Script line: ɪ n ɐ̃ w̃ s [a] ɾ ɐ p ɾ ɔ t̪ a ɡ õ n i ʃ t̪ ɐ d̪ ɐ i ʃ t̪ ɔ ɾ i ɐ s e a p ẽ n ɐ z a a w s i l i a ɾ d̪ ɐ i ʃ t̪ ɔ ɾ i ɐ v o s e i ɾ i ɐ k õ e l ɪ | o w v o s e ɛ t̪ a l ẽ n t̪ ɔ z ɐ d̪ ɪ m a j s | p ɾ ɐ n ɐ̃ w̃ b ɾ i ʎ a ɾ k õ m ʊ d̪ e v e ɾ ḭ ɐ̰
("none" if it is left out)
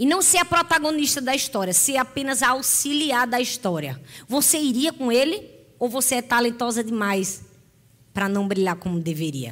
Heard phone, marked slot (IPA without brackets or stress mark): e